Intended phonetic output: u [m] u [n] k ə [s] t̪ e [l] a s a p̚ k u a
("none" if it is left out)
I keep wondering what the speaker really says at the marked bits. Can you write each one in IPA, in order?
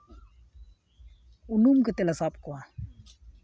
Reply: n, m, none, l

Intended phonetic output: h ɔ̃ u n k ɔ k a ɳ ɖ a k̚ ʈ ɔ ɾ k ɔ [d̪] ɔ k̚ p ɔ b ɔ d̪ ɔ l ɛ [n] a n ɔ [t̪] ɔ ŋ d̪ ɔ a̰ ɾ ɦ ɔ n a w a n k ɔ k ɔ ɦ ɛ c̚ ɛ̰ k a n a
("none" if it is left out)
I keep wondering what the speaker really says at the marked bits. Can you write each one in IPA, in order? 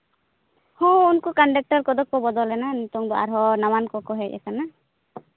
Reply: d̪, n, t̪

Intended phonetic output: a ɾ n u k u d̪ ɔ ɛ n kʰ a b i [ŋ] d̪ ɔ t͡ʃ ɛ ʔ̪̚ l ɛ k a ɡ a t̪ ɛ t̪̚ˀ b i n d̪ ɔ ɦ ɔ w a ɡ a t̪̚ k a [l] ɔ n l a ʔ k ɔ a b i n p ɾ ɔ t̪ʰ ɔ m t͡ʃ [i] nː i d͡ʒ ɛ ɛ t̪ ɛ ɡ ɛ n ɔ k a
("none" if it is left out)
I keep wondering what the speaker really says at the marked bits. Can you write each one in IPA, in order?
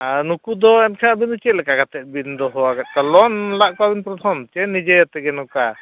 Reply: n, l, ɛ

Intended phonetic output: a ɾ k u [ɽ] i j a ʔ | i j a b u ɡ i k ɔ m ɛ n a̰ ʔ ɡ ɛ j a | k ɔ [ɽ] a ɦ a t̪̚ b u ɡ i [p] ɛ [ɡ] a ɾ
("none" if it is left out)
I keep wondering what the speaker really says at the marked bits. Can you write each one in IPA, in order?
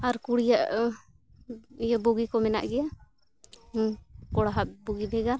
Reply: ɽ, ɽ, b, ɡ

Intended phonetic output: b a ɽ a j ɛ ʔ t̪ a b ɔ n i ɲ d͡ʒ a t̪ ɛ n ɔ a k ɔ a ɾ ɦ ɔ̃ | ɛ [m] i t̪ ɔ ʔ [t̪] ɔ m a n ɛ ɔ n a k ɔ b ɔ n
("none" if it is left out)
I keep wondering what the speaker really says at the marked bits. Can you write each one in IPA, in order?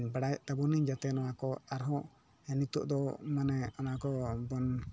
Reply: n, d̪

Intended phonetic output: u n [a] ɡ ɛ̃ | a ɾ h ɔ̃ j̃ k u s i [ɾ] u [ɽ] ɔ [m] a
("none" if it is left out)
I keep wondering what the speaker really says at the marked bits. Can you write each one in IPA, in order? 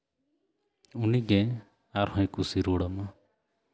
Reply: i, ɾ, ɽ, m

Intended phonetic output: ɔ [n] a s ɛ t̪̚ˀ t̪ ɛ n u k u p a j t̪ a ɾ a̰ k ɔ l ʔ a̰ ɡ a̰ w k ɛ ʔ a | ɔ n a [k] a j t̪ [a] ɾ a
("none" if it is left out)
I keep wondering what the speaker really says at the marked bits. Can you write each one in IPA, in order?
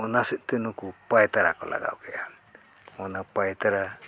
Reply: n, p, a

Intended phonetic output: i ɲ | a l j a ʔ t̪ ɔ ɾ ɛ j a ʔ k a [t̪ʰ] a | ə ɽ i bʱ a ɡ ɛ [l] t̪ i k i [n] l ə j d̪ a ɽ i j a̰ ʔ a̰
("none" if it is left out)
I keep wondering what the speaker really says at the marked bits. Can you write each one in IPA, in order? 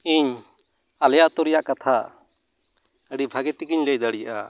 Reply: t̪ʰ, none, ɲ

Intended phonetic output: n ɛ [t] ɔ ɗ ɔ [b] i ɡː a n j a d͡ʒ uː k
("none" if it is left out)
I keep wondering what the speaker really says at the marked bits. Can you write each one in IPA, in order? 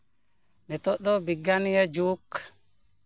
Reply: t, b

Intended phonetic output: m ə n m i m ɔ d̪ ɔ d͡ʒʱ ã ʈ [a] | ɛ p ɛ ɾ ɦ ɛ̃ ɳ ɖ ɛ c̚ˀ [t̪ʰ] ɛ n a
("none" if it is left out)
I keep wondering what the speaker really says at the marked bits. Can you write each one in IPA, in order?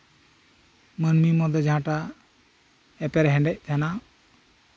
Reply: a, t̪ʰ

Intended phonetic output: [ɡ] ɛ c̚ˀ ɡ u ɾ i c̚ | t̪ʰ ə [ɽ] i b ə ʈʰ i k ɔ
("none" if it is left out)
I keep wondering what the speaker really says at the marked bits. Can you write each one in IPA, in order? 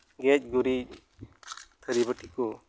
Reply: ɡ, ɾ

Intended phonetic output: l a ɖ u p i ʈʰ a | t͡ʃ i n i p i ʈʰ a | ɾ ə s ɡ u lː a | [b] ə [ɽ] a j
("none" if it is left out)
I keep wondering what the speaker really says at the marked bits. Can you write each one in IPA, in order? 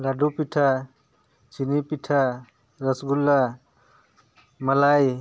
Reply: m, l

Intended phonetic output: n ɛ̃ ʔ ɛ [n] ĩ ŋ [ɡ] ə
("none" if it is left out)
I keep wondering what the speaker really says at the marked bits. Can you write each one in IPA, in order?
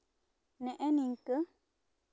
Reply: n, k

